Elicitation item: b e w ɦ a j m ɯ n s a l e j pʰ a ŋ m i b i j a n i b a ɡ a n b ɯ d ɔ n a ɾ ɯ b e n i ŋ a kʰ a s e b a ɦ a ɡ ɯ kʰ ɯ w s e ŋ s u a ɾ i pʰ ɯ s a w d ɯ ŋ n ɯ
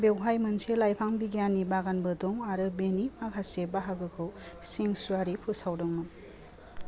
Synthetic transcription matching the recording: b e w ɦ a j m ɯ n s e l a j pʰ a ŋ b i ɡ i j a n i b a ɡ a n b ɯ d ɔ ŋ a ɾ ɯ b e n i m a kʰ a s e b a ɦ a ɡ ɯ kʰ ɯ w s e ŋ s u a ɾ i pʰ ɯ s a w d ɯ ŋ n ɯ